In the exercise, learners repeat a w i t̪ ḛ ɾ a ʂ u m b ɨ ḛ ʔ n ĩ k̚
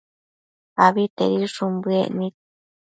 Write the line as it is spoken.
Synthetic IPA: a β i t̪ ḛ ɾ i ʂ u m b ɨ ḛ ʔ n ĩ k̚